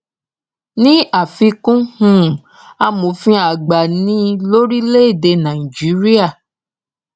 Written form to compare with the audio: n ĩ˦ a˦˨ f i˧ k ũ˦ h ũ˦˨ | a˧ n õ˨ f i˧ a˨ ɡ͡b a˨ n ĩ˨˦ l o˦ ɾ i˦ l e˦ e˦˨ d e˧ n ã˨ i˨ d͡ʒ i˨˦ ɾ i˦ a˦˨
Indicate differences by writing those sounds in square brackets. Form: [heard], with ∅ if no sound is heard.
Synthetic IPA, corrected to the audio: n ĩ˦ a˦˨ f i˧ k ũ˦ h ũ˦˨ | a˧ [m] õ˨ f [ĩ˧] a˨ ɡ͡b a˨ n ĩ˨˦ l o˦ ɾ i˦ l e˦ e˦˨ d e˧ n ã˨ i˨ d͡ʒ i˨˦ ɾ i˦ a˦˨